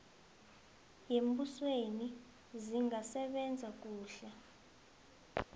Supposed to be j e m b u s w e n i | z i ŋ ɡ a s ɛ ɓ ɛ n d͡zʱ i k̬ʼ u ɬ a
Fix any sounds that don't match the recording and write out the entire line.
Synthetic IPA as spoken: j e m b u s w e n i | z i ŋ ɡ a s ɛ ɓ ɛ n d͡zʱ a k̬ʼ uː ɬ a

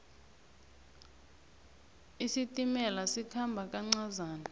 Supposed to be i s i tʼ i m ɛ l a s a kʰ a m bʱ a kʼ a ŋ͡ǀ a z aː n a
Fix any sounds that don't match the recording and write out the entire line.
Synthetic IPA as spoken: i s i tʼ i m ɛ l a s i kʰ a m bʱ a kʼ a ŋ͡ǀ a z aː n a

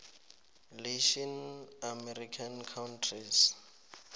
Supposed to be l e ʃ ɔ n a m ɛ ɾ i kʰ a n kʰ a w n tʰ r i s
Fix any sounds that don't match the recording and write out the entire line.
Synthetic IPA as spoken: l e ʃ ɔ n a m ɛ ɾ i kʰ a n kʰ a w n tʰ r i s

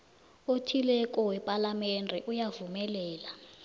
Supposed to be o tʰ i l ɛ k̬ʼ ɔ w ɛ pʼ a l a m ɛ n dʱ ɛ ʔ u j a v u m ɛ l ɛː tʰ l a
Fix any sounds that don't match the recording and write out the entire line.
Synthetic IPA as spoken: o tʰ i l ɛ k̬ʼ ɔ w ɛ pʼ a l a m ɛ n dʱ ɛ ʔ u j a v u m ɛ l ɛː l a

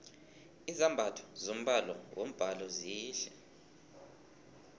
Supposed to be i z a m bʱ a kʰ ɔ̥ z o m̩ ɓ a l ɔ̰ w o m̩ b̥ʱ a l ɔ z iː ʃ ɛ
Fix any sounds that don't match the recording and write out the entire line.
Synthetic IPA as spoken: i z a m bʱ a tʰ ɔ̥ z o m̩ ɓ a l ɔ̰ w o m̩ b̥ʱ a l ɔ z iː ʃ ɛ

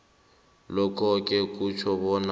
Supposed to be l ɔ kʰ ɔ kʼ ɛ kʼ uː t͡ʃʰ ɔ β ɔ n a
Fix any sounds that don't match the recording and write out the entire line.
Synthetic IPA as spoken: l ɔ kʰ ɔ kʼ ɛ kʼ u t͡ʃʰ ɔ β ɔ n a

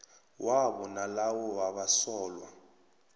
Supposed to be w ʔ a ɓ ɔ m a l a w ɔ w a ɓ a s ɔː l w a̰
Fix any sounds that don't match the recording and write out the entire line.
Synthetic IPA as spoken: w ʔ a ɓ ɔ n a l a w ɔ w a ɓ a s ɔː l w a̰

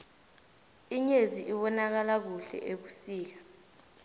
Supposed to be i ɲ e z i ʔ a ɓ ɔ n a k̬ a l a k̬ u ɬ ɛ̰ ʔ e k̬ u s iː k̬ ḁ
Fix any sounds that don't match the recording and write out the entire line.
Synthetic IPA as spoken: i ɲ e z i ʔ i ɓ ɔ n a k̬ a l a k̬ u ɬ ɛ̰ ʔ e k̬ u s iː k̬ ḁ

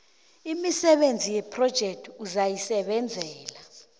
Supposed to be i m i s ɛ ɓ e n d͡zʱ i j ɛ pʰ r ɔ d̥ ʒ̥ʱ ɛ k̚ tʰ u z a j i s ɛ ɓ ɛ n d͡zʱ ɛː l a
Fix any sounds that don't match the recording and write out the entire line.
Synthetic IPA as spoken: i m i s ɛ ɓ e n d͡zʱ i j ɛ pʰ r ɔ d̥ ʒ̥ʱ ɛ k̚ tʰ u z a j i s ɛ ɓ ɛ n d͡zʱ ɛː l a

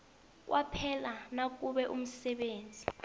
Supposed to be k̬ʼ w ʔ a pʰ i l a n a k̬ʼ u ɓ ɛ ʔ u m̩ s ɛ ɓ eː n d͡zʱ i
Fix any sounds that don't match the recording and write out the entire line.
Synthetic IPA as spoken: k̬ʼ w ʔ a pʰ ɛ l a n a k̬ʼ u ɓ ɛ ʔ u m̩ s ɛ ɓ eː n d͡zʱ i

